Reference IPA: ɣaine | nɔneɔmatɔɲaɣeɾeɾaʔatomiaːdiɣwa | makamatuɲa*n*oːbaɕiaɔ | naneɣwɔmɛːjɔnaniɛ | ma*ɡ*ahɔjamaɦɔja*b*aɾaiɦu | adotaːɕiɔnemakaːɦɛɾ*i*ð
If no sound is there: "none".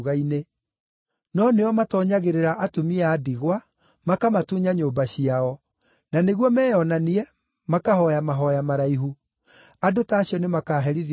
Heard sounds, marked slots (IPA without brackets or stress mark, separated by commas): ɲ, k, m, i